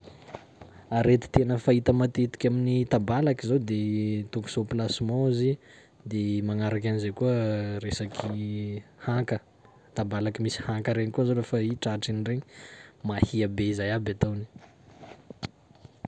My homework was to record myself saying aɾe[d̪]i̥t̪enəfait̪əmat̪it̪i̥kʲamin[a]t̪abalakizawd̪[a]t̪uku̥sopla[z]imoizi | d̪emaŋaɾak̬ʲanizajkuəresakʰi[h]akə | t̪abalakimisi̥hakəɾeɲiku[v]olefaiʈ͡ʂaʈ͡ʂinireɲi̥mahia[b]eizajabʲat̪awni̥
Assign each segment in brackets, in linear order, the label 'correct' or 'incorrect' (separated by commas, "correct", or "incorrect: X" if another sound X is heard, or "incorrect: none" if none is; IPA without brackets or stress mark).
incorrect: t̪, incorrect: i, incorrect: e, incorrect: s, correct, incorrect: z, correct